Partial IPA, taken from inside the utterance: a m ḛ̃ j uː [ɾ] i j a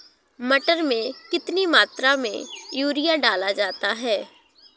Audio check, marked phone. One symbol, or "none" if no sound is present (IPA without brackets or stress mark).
ɾ